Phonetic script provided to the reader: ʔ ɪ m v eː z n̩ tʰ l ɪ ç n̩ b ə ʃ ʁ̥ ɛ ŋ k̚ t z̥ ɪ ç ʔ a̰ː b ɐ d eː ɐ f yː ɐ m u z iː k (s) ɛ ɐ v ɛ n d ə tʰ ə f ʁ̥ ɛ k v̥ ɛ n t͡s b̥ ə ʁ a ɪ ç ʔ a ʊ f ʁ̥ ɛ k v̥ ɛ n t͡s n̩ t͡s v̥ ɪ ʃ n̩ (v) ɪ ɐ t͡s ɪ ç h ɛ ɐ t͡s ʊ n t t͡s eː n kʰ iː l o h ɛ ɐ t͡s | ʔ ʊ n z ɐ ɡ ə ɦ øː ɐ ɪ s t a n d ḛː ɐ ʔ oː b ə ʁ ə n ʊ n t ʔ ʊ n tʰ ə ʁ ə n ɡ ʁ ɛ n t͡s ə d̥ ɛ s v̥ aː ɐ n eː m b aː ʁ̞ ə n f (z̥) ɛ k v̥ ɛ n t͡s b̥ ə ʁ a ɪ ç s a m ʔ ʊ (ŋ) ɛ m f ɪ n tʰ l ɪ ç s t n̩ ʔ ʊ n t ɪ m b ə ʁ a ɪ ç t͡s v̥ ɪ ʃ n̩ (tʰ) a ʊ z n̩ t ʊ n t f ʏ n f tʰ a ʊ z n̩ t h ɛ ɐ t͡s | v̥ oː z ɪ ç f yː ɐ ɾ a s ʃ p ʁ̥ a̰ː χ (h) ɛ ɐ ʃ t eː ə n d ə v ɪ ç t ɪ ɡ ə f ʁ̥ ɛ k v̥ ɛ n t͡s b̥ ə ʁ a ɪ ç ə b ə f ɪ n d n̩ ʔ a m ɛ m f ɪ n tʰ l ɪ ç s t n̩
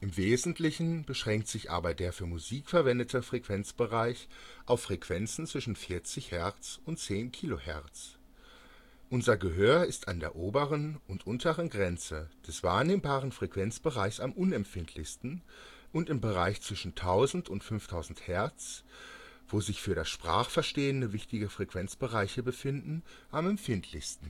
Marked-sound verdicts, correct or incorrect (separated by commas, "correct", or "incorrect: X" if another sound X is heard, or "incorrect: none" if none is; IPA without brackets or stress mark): incorrect: f, incorrect: f, incorrect: ʁ̥, incorrect: n, correct, incorrect: f